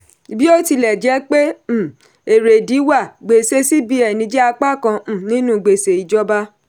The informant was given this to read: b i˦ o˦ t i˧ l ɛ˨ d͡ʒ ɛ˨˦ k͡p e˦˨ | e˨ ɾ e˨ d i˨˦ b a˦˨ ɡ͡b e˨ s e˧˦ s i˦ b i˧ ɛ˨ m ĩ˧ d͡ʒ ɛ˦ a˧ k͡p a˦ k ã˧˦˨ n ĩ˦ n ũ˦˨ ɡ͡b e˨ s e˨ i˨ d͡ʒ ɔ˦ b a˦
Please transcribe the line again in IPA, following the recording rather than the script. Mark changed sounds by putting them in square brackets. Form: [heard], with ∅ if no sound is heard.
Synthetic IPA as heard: b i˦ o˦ t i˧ l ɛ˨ d͡ʒ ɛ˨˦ k͡p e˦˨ | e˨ ɾ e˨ d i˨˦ [w] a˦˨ ɡ͡b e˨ s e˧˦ s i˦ b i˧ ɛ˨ [n] ĩ˧ d͡ʒ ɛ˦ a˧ k͡p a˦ k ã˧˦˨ n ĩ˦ n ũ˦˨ ɡ͡b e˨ s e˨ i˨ d͡ʒ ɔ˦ b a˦

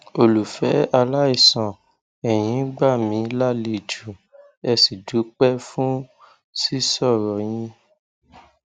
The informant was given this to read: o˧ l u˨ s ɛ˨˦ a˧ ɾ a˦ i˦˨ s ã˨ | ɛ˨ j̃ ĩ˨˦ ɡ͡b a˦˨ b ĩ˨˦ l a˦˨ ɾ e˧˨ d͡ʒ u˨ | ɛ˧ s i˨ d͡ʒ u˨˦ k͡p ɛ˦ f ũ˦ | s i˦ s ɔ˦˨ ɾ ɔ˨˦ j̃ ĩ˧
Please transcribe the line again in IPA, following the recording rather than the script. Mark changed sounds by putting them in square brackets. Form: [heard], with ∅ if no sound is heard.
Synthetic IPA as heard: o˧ l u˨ [f] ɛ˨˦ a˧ [l] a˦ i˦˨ s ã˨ | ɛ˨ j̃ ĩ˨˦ ɡ͡b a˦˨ [m] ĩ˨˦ l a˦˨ [l] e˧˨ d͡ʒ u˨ | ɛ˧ s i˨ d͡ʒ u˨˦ k͡p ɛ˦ f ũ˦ | s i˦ s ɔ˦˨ ɾ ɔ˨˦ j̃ ĩ˧

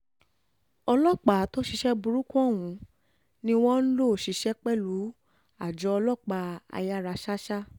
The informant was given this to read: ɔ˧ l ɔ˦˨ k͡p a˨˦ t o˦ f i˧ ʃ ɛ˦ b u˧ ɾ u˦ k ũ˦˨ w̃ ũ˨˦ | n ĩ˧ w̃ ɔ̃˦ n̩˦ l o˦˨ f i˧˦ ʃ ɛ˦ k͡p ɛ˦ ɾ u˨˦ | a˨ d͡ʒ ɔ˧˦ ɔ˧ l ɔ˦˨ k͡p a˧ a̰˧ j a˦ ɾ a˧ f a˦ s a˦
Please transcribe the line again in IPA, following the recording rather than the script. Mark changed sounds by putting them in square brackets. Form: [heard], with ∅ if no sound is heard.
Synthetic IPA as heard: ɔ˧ l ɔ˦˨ k͡p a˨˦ t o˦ [ʃ] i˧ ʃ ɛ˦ b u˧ ɾ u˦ k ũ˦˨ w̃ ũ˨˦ | n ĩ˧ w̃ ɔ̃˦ n̩˦ l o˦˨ [ʃ] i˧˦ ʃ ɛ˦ k͡p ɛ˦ [l] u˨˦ | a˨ d͡ʒ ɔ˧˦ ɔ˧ l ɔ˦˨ k͡p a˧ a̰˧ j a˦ ɾ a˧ [ʃ] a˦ [ʃ] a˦

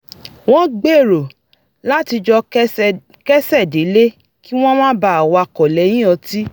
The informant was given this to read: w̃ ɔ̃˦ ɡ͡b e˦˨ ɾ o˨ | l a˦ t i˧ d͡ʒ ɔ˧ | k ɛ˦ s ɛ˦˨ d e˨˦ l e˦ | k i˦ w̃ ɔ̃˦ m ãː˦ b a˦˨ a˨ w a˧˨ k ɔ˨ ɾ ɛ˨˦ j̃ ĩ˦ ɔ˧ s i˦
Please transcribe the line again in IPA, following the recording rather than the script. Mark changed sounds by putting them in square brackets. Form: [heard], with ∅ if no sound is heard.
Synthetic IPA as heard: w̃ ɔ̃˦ ɡ͡b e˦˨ ɾ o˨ | l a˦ t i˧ d͡ʒ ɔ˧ | k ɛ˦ s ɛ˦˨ d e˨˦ l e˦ | k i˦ w̃ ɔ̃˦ m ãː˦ b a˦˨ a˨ w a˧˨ k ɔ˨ [l] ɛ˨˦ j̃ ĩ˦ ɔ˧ [t] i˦

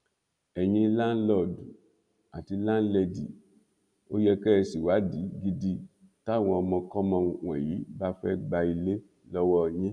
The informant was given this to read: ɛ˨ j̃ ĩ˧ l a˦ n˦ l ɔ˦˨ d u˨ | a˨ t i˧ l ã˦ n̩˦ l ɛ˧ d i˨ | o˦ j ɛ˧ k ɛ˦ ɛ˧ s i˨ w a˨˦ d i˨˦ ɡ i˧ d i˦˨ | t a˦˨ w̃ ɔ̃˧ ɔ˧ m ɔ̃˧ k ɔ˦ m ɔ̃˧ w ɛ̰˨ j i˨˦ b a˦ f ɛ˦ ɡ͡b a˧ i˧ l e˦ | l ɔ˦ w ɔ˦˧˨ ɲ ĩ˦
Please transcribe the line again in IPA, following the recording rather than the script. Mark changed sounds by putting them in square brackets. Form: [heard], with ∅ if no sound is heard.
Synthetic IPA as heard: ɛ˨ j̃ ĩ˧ l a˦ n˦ l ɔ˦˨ d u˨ | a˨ t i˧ l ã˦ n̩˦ l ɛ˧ d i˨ | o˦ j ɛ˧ k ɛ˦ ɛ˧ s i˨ w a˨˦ d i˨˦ ɡ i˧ d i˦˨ | t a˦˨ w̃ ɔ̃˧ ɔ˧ m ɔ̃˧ k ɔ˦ m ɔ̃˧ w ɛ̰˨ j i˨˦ b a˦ f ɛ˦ ɡ͡b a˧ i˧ l e˦ | l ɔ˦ w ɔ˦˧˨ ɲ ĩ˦

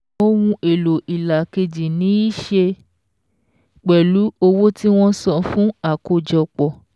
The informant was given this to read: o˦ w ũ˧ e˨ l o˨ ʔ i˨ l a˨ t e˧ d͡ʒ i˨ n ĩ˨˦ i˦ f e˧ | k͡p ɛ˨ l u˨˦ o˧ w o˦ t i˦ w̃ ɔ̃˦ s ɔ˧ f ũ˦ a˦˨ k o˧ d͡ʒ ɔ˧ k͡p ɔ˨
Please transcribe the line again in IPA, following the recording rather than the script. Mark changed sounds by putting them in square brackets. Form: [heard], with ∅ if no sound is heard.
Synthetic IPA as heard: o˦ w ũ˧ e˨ l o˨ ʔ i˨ l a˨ [k] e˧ d͡ʒ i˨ n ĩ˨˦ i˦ [ʃ] e˧ | k͡p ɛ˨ l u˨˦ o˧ w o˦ t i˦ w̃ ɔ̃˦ s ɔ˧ f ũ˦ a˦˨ k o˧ d͡ʒ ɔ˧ k͡p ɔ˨

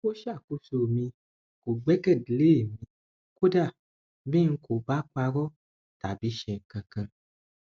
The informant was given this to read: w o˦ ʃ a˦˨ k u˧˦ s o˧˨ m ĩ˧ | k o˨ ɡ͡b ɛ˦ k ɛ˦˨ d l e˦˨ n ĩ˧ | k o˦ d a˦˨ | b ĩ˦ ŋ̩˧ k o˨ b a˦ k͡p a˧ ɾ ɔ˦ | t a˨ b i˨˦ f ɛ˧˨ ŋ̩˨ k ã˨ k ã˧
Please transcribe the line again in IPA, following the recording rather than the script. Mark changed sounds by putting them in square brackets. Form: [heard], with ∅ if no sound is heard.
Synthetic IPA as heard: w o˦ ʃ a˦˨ k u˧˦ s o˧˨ m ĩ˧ | k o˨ ɡ͡b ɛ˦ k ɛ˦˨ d l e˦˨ [m] ĩ˧ | k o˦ d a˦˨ | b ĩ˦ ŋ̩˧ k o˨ b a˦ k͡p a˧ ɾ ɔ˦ | t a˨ b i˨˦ [ʃ] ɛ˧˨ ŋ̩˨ k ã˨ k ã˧

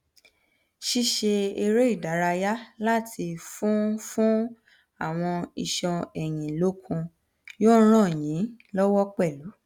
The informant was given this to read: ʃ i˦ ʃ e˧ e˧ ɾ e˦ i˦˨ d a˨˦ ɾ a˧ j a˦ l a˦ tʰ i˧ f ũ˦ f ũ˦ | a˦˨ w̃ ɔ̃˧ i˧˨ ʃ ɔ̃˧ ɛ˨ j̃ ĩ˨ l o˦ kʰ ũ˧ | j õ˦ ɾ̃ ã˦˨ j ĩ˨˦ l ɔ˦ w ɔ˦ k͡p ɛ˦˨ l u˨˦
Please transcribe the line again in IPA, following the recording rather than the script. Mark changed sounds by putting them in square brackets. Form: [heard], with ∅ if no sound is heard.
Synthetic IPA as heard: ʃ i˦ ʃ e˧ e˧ ɾ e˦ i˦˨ d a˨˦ ɾ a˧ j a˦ l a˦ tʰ i˧ f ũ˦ f ũ˦ | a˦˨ w̃ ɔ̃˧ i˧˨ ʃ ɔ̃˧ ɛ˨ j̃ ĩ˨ l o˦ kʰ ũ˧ | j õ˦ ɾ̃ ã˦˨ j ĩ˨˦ l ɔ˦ w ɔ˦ k͡p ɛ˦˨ l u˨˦

